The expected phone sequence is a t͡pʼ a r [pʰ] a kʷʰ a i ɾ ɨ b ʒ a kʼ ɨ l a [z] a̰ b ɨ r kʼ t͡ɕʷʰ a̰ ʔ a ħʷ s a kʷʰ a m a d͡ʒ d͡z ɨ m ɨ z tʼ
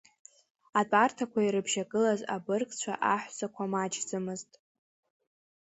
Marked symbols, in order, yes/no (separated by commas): no, yes